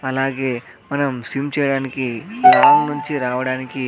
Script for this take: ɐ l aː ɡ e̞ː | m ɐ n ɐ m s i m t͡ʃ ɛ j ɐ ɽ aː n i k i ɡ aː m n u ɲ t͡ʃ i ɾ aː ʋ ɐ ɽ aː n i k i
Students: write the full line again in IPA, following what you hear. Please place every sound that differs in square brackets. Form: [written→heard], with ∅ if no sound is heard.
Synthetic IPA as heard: ɐ l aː ɡ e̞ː | m ɐ n ɐ m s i m t͡ʃ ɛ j ɐ ɽ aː n i k i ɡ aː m n u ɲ t͡ʃ i ɾ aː ʋ ɐ ɽ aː n i k i

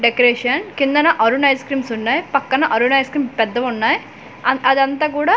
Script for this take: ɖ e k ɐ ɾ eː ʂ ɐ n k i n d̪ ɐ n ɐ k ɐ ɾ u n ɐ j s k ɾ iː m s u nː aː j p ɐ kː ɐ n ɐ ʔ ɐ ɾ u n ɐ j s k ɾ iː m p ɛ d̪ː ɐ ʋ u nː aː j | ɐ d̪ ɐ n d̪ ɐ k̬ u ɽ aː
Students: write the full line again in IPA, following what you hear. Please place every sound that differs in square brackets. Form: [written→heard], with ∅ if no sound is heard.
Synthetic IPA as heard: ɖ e k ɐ ɾ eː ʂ ɐ n k i n d̪ ɐ n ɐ [k→ʔ] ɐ ɾ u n ɐ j s k ɾ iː m s u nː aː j p ɐ kː ɐ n ɐ ʔ ɐ ɾ u n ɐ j s k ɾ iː m p ɛ d̪ː ɐ ʋ u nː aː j | ɐ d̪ ɐ n [d̪→t̪] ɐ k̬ [u→uː] ɽ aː

